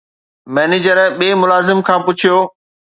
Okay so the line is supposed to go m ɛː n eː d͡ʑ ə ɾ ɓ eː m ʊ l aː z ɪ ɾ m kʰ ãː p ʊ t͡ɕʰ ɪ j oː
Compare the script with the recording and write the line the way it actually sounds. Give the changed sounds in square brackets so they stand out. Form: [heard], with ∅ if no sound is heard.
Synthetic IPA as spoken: m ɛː n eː d͡ʑ ə ɾ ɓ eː m ʊ l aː z ɪ [∅] m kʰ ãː p ʊ t͡ɕʰ [i] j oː